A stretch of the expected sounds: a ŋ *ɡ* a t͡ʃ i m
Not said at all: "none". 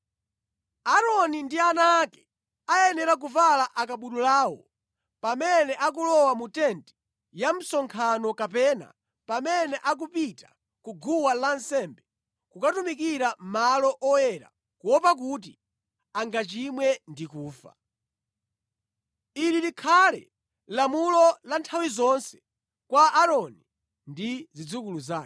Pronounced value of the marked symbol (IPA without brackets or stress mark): ɡ